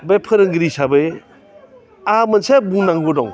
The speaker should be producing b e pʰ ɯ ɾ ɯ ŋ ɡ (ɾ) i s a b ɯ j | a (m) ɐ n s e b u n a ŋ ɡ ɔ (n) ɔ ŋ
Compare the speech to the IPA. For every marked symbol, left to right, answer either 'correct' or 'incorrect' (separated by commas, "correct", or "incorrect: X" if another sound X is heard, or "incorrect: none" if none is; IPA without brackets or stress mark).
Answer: correct, correct, incorrect: d